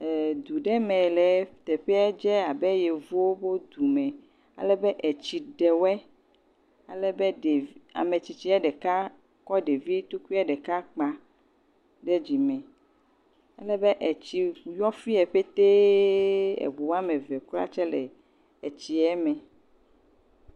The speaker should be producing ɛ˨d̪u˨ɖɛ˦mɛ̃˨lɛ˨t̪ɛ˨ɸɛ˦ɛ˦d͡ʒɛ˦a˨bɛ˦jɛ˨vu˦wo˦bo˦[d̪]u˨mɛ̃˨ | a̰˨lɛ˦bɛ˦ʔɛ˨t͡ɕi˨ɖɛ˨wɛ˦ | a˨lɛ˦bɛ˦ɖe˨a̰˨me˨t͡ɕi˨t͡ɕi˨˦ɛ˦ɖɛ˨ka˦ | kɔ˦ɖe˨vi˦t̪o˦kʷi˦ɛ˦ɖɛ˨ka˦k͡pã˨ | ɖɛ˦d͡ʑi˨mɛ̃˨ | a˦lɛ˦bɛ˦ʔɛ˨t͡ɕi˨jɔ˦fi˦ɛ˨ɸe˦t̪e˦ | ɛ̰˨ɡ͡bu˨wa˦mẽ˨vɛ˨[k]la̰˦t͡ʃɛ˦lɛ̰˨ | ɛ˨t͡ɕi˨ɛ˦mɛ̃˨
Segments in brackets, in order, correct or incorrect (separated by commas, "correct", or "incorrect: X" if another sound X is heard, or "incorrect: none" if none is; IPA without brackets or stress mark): correct, correct